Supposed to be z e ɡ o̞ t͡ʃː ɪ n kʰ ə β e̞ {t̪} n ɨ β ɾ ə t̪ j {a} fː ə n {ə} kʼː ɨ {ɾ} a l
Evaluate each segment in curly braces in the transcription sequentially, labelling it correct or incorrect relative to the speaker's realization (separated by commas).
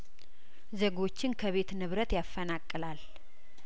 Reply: correct, correct, incorrect, incorrect